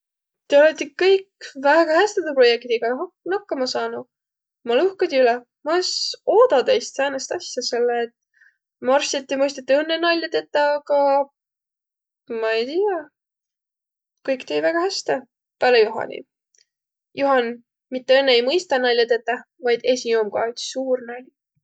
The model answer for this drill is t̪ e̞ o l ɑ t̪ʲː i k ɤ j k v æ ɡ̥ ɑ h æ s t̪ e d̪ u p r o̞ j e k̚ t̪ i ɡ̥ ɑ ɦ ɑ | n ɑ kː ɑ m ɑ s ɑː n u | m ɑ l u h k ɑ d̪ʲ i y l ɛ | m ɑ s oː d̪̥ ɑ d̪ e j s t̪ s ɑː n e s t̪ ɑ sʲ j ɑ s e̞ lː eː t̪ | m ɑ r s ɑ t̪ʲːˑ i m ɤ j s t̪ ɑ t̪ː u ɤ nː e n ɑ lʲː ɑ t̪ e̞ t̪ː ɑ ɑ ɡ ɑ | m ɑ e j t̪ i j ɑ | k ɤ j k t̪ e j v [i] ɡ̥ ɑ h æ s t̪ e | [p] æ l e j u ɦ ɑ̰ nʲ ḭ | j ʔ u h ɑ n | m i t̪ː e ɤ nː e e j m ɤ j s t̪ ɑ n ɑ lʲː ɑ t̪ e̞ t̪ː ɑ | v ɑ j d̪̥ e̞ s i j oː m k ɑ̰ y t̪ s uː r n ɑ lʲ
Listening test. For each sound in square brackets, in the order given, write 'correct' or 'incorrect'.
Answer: incorrect: æ, correct

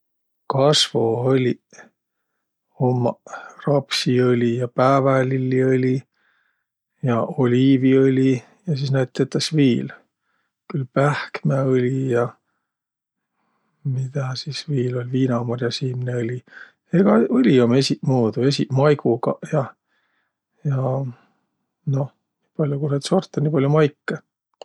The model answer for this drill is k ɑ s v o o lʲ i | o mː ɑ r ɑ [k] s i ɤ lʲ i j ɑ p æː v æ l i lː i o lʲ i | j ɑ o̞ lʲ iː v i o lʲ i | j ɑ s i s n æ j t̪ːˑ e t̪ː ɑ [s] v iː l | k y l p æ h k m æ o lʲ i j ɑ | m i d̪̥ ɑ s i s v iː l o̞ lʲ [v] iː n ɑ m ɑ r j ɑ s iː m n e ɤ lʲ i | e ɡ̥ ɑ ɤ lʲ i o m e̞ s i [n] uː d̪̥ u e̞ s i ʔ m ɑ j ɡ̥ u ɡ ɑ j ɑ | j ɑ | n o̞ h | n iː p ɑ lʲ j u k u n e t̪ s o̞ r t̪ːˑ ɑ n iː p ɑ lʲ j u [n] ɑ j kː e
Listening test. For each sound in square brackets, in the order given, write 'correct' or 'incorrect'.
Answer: incorrect: p, correct, correct, incorrect: m, incorrect: m

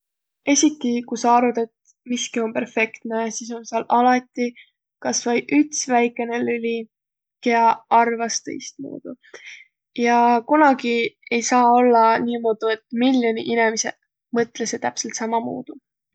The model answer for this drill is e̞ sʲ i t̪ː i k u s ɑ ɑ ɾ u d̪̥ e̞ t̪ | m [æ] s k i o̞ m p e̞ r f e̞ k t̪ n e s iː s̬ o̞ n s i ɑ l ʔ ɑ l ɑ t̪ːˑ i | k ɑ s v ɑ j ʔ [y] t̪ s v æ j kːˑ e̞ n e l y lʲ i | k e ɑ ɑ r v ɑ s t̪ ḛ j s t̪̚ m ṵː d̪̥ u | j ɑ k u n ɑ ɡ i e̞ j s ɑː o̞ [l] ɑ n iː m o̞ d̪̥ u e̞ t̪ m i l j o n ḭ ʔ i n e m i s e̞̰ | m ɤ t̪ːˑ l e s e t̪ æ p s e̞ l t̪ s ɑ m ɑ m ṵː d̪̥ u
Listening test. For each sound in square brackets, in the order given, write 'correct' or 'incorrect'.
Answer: incorrect: i, correct, incorrect: lː

